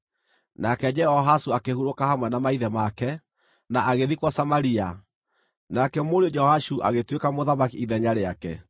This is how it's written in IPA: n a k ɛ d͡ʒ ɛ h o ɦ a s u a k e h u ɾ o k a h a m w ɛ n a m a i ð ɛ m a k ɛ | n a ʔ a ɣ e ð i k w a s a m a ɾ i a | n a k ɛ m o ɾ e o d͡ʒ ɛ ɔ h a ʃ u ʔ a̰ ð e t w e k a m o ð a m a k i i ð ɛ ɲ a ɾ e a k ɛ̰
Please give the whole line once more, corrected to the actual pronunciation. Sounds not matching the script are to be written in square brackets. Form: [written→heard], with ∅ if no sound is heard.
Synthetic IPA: n a k ɛ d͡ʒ ɛ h [o→ɔ] ɦ a s u a k e h u ɾ o k a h a m w ɛ n a m a i ð ɛ m a k ɛ | n a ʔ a ɣ e ð i k w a s a m a ɾ i a | n a k ɛ m o ɾ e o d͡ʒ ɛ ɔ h a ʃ u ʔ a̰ [ð→ɣ] e t w e k a m o ð a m a k i i ð ɛ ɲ a ɾ e a k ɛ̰

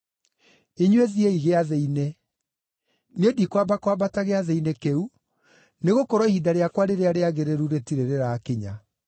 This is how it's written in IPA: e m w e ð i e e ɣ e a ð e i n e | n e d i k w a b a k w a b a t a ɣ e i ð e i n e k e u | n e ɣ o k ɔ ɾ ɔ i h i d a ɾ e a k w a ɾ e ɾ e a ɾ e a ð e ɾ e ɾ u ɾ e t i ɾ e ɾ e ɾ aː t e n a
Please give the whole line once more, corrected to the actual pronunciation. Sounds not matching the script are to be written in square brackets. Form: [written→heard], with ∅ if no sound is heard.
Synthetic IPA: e [m→ɲ] w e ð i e [e→i] ɣ e a ð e i n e | n e d i k w a b a k w a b a t a ɣ e [i→a] ð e i n e k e u | n e ɣ o k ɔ ɾ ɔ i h i d a ɾ e a k w a ɾ e ɾ e a ɾ e a [ð→ɣ] e ɾ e ɾ u ɾ e t i ɾ e ɾ e ɾ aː [t→k] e [n→ɲ] a

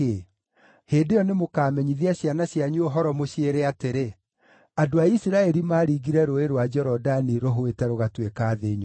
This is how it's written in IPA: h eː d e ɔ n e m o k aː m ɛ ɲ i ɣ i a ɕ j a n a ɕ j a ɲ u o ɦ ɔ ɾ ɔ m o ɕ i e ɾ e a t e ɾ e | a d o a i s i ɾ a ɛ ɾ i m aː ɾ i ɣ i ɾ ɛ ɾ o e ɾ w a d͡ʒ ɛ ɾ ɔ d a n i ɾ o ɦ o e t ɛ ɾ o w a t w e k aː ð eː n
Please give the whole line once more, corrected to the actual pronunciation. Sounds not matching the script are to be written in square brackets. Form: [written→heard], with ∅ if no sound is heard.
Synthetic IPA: h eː d e ɔ n e m o k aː m ɛ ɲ i [ɣ→ð] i a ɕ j a n a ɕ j a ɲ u o ɦ ɔ ɾ ɔ m o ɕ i e ɾ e a t e ɾ e | a d o a i s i ɾ a ɛ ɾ i m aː ɾ i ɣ i ɾ ɛ ɾ o e ɾ w a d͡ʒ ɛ ɾ ɔ d a n i ɾ o ɦ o e t ɛ ɾ o [w→ɣ] a t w e k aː ð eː [n→ɲ]

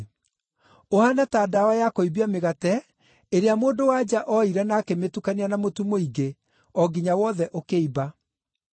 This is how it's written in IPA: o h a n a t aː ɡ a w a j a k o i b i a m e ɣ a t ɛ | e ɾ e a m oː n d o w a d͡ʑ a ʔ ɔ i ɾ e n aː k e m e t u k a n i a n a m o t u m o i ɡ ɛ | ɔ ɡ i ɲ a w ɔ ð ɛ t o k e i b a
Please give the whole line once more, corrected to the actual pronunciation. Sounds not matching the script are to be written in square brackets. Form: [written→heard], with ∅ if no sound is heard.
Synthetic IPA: o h a n a t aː [ɡ→d] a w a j a k o i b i a m e ɣ a t ɛ | e ɾ e a m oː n d o w a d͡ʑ a ʔ ɔ i ɾ [e→ɛ] n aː k e m e t u k a n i a n a m o t u m o i ɡ [ɛ→e] | ɔ ɡ i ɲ a w ɔ ð ɛ [t→ʔ] o k e i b a

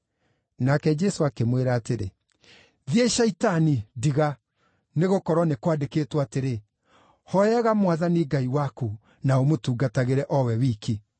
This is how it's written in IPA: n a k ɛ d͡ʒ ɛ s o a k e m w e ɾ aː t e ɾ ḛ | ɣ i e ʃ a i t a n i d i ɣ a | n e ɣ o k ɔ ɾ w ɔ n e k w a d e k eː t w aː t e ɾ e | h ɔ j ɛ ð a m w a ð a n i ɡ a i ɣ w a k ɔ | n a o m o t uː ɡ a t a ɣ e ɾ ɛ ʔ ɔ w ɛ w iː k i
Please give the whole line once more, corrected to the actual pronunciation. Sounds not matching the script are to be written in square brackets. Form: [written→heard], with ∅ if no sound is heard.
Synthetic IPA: n a k ɛ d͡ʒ ɛ s o a k e m w e ɾ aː t e ɾ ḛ | [ɣ→ð] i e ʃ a i t a n i d i ɣ a | n e ɣ o k ɔ ɾ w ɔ n e k w a d e k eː t w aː t e ɾ e | h ɔ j ɛ [ð→ɣ] a m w a ð a n i ɡ a i [ɣ→∅] w a k [ɔ→u] | n a o m o t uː ɡ a t a ɣ e ɾ ɛ ʔ ɔ w ɛ w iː k i

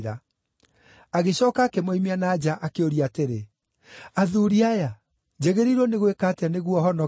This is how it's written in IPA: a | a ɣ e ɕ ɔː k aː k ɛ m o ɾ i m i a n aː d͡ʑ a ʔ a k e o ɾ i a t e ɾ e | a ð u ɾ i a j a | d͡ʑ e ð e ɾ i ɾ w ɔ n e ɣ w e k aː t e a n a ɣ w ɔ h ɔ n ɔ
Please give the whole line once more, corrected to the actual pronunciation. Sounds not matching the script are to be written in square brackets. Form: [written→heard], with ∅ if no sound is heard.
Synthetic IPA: a | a ɣ e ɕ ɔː k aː k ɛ m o [ɾ→∅] i m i a n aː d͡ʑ a ʔ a k e o ɾ i a t e ɾ e | a ð u ɾ i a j a | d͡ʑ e [ð→ɣ] e ɾ i ɾ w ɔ n e ɣ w e k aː t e a n [a→e] ɣ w ɔ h ɔ n ɔ

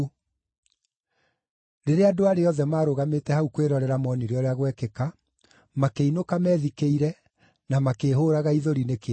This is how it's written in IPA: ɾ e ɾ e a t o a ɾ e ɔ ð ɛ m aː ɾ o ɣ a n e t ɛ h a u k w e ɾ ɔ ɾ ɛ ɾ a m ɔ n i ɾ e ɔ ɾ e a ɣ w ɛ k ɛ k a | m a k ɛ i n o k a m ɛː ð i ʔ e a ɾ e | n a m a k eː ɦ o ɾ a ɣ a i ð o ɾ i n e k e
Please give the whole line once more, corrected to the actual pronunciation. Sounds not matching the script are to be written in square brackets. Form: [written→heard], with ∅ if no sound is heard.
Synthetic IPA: ɾ e ɾ e a [t→d] o a ɾ e ɔ ð ɛ m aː ɾ o ɣ a [n→m] e t ɛ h a u k w e ɾ ɔ ɾ ɛ ɾ a m ɔ n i ɾ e ɔ ɾ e a ɣ w ɛ k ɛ k a | m a k [ɛ→e] i n o k a m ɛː ð i [ʔ→k] e [a→i] ɾ [e→ɛ] | n a m a k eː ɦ o ɾ a ɣ a i ð o ɾ i n e k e

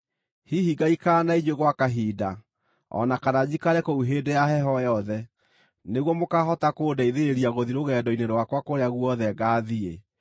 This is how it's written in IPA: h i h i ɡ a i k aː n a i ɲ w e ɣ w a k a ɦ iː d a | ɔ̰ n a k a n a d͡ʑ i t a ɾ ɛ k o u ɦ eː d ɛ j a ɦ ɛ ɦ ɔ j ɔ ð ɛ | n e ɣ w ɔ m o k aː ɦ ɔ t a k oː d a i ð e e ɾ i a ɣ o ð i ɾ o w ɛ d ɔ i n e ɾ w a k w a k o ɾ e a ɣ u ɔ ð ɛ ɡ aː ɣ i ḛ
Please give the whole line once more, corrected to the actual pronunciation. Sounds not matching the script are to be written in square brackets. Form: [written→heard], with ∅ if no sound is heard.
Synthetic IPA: h i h i ɡ a i k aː n a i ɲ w e ɣ w a k a ɦ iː d a | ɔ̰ n a k a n a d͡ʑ i [t→k] a ɾ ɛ k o u ɦ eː d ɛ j a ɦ ɛ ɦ ɔ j ɔ ð ɛ | n e ɣ w ɔ m o k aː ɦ ɔ t a k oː d a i ð e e ɾ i a ɣ o ð i ɾ o [w→ɣ] ɛ d ɔ i n e ɾ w a k w a k o ɾ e a ɣ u ɔ ð ɛ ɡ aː [ɣ→ð] i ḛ

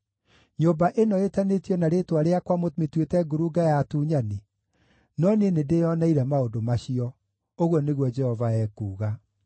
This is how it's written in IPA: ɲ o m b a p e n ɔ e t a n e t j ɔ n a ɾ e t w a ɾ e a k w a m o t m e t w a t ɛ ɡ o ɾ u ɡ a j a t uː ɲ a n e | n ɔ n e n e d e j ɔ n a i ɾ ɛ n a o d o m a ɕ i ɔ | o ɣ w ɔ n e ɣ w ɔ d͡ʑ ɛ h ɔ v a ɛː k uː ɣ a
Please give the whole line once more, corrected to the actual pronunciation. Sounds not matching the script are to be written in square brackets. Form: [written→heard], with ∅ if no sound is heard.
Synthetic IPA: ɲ o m b a [p→ʔ] e n ɔ e t a n e t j ɔ n a ɾ e t w a ɾ e a k w a m o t m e t w [a→e] t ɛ ɡ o ɾ u ɡ a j a t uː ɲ a n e | n ɔ n e n e d e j ɔ n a i ɾ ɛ [n→m] a o d o m a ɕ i ɔ | o ɣ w ɔ n e ɣ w ɔ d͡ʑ ɛ h ɔ v a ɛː k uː ɣ a

